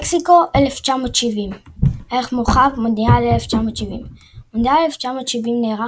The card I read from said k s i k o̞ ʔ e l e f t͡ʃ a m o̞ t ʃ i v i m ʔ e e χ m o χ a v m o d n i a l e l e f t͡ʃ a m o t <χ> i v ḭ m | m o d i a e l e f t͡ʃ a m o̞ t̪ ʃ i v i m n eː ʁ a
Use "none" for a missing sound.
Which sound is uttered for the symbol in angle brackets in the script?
ʃ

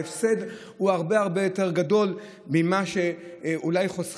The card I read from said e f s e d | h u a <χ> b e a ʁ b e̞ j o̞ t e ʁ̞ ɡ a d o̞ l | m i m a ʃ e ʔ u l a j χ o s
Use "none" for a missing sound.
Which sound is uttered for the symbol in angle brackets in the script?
ʁ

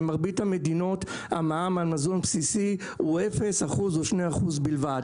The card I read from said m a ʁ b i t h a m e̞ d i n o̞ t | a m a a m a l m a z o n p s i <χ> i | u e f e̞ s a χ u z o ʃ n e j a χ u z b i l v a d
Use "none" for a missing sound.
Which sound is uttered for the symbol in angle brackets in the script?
s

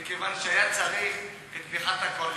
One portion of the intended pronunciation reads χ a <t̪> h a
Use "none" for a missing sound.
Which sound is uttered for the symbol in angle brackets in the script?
t̪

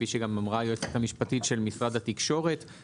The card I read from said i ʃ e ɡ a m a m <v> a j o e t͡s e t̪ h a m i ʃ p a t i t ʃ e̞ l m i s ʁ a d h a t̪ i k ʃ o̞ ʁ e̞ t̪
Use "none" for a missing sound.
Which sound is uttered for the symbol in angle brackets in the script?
ʁ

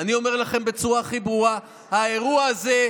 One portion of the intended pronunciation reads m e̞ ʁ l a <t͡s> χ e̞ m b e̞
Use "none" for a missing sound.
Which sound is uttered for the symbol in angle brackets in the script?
none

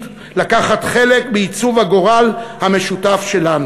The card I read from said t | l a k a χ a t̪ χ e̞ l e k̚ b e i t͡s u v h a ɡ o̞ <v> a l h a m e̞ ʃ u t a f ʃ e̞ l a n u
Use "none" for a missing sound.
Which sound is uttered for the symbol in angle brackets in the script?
ʁ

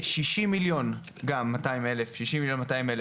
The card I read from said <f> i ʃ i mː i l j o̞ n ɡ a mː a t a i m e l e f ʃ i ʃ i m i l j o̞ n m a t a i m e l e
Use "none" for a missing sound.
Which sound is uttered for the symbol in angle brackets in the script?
ʃ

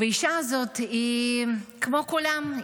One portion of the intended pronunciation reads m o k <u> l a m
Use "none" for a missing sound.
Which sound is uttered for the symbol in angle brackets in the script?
u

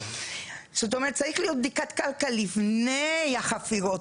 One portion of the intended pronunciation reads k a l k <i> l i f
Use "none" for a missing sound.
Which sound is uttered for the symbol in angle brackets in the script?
a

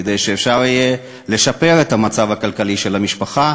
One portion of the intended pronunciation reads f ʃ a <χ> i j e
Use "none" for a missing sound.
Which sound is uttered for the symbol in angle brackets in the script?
ʁ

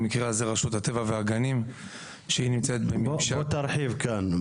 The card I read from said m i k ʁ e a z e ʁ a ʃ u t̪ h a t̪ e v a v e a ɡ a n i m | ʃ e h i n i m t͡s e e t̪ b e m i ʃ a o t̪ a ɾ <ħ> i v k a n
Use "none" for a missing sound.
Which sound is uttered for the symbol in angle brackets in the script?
ħ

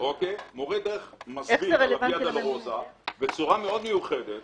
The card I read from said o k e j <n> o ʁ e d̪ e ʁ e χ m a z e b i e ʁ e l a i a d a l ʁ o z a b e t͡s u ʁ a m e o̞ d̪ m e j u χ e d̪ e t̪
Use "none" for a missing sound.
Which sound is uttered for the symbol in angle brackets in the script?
m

